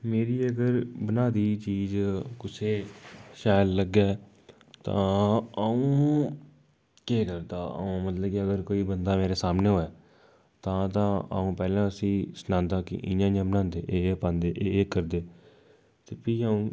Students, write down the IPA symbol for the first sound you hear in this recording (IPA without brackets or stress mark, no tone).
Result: m